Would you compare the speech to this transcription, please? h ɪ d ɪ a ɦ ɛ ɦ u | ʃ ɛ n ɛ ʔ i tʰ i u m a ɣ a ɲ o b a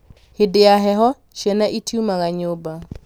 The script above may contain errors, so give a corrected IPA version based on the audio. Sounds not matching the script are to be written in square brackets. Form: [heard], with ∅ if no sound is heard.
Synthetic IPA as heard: h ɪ d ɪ a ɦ ɛ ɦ [ɔ] | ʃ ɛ n [a] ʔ i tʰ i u m a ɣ a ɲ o b a

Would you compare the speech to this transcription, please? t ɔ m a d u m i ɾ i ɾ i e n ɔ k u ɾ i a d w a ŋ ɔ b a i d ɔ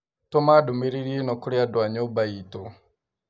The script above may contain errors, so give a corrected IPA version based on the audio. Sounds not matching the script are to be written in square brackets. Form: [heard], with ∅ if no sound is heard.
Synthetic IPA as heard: t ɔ m a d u m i ɾ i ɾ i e n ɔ k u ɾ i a d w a [ɲ] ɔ b a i [t] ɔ

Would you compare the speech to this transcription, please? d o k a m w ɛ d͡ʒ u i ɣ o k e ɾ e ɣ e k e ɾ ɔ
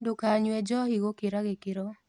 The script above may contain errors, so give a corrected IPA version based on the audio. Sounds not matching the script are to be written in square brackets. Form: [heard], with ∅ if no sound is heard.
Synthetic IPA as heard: d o k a [ɲ] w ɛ d͡ʒ [ɔ] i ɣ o k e ɾ [a] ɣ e k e ɾ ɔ

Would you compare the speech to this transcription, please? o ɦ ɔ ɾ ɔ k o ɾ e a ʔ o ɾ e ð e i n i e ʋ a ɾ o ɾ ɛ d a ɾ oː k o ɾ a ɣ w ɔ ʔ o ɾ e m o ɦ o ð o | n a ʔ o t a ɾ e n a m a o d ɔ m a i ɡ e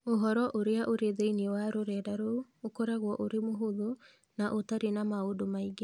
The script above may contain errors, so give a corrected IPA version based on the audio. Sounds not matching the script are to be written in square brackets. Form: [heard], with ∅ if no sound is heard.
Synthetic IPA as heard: o ɦ ɔ ɾ ɔ [ʔ] o ɾ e a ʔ o ɾ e ð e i n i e [w] a ɾ o ɾ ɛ d a ɾ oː k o ɾ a ɣ w ɔ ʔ o ɾ e m o ɦ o ð o | n a ʔ o t a ɾ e n a m a o d [o] m a i ɡ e

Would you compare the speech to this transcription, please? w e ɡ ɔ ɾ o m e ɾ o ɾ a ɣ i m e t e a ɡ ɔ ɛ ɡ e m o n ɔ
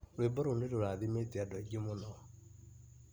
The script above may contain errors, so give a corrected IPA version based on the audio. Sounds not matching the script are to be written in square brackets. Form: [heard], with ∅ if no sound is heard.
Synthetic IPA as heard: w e [b] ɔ ɾ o [n] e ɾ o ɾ a [ð] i m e t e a [d] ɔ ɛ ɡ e m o n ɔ

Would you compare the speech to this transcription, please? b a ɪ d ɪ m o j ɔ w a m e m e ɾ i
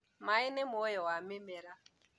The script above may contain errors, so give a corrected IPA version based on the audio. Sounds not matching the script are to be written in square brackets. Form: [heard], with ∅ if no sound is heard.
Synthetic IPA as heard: [m] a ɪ [n] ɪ m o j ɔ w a m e m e ɾ [a]

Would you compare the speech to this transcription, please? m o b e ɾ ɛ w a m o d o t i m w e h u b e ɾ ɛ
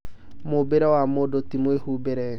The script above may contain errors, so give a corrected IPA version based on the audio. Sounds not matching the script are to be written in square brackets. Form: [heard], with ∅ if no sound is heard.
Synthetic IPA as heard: m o b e ɾ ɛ w a m o d o t i m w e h u b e ɾ ɛ

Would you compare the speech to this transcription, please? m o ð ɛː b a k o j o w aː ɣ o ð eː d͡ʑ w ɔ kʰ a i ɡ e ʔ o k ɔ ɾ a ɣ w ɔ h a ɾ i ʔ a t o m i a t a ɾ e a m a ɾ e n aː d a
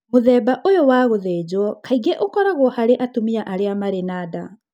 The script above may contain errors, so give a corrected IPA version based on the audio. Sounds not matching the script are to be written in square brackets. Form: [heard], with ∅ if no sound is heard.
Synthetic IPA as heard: m o ð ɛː b a [ʔ] o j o w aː ɣ o ð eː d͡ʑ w ɔ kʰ a i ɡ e ʔ o k ɔ ɾ a ɣ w ɔ h a ɾ [e] ʔ a t o m i a [ʔ] a ɾ e a m a ɾ e n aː d a

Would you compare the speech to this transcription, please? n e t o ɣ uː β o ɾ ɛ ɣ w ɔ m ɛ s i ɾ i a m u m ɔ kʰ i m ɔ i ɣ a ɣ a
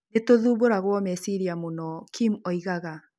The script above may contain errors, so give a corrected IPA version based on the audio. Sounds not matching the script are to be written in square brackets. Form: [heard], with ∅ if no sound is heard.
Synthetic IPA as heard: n e t o [ð] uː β o ɾ [a] ɣ w ɔ m ɛ s i ɾ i a m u [n] ɔ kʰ i m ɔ i ɣ a ɣ a

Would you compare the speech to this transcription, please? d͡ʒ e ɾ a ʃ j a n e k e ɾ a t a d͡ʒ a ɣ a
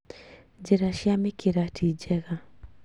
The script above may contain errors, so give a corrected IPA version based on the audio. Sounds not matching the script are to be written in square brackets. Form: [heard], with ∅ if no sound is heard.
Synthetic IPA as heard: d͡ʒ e ɾ a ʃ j a [m] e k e ɾ a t [i] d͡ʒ [ɛ] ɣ a

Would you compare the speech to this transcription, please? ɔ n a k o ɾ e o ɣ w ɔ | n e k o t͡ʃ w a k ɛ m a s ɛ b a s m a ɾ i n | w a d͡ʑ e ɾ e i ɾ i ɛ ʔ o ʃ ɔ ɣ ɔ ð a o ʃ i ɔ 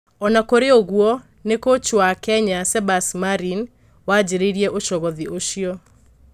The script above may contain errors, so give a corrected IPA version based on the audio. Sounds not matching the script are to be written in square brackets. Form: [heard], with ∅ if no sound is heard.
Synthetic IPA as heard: ɔ n a k o ɾ e o ɣ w ɔ | n e k o t͡ʃ w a k ɛ [ɲ] a s ɛ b a s m a ɾ i n | w a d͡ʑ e ɾ e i ɾ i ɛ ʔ o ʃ ɔ ɣ ɔ ð [i] o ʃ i ɔ

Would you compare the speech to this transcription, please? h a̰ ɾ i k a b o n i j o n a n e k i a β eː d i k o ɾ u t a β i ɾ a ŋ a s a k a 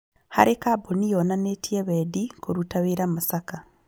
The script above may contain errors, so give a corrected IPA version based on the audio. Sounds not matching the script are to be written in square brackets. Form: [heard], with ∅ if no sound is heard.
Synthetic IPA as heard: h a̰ ɾ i k a b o n i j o n a n e [t] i [e] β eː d i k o ɾ u t a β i ɾ a [m] a s a k a

